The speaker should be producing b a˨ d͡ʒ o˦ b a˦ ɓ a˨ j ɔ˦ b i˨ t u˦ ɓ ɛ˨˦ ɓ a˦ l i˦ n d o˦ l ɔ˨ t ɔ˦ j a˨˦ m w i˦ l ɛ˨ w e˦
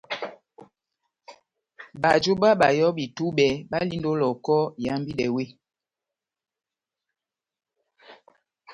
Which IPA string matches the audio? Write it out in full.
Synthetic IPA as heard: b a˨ d͡ʒ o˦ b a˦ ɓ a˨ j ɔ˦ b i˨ t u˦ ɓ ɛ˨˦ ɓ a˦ l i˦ n d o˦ l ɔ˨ k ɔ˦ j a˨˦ m b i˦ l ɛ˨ w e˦